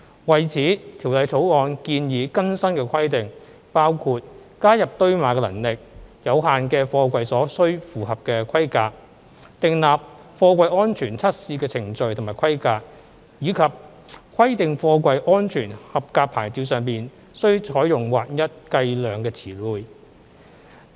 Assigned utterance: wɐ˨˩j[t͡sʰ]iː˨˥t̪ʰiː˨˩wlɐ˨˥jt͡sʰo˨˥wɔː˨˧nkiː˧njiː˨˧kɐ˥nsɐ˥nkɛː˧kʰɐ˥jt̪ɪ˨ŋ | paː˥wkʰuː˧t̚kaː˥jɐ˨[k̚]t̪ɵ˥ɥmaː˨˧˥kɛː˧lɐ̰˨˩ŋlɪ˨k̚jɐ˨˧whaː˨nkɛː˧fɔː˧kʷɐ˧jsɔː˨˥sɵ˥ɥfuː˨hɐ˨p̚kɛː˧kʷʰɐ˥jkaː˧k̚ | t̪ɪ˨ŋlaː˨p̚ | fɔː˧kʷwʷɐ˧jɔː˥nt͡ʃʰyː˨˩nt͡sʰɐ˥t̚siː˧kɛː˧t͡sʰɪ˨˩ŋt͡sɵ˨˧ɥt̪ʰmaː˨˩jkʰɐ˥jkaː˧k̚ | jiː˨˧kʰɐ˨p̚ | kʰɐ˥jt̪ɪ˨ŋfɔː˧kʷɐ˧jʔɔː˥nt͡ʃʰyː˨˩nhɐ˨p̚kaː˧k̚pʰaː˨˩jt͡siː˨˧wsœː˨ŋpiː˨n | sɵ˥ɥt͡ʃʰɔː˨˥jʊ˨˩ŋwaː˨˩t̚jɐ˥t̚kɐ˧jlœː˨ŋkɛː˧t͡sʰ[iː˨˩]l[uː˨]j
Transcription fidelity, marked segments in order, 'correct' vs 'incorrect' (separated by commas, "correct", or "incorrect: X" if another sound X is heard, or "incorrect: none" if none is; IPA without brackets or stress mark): correct, incorrect: p̚, correct, correct